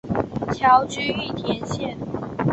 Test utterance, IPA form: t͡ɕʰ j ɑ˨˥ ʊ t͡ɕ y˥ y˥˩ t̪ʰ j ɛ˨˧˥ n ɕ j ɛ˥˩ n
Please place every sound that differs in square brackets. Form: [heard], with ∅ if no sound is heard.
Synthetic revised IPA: t͡ɕʰ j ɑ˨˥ ʊ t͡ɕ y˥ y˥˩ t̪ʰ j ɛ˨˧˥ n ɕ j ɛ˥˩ n